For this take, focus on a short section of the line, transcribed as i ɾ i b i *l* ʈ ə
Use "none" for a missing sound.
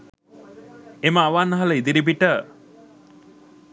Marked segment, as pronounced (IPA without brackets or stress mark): none